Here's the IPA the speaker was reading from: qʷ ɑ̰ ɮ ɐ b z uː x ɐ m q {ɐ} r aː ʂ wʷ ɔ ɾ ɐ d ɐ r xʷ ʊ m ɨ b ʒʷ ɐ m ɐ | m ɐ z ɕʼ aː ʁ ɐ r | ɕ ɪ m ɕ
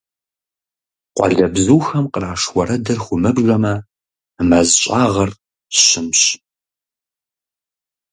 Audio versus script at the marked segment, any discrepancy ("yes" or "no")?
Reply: yes